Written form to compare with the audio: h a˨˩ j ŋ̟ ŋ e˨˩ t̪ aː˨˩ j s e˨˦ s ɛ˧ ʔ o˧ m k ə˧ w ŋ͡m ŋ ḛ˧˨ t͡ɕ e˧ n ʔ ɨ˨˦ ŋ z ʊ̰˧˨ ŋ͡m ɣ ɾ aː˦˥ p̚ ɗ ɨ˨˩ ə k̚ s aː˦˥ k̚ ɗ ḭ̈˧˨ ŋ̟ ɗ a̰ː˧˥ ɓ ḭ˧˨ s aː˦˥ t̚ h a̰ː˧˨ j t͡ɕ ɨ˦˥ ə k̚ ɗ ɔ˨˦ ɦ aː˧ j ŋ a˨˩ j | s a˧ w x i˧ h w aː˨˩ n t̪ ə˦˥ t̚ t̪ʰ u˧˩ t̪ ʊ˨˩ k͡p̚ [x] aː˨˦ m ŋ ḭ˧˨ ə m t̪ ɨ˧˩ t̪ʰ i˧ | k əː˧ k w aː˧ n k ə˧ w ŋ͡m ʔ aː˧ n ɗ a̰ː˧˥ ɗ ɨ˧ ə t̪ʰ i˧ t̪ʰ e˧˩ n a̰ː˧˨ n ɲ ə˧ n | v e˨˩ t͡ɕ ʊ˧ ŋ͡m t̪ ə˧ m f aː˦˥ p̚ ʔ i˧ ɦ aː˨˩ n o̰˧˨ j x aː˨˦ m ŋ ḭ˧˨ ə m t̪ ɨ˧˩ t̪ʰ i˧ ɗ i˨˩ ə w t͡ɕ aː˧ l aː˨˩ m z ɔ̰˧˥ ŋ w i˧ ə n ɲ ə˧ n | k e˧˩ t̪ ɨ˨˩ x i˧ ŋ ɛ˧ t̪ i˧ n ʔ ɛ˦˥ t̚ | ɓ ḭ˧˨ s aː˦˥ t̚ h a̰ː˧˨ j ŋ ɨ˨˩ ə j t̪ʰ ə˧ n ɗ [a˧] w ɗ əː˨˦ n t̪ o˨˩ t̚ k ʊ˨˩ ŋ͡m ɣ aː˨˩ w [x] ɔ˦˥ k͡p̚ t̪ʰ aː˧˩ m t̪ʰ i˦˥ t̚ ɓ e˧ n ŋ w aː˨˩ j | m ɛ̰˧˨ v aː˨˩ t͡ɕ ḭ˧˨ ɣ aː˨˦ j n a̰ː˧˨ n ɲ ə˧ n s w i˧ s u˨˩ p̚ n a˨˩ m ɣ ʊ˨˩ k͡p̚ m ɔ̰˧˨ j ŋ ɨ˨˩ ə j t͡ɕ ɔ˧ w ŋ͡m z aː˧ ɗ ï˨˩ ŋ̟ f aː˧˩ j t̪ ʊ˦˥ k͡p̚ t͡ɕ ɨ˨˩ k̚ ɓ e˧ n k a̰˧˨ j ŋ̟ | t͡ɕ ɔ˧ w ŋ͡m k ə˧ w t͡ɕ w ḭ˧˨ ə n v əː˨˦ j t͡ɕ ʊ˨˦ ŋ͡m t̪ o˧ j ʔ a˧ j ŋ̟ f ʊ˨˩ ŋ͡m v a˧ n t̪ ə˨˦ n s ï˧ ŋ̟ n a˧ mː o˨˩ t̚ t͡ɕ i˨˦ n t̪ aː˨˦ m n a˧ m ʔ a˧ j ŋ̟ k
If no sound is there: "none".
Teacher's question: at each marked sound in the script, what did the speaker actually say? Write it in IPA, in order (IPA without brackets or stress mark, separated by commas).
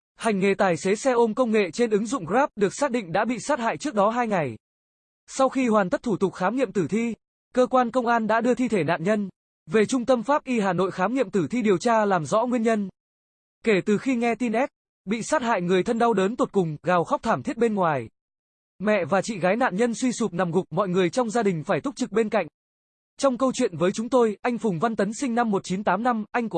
x, a˧, x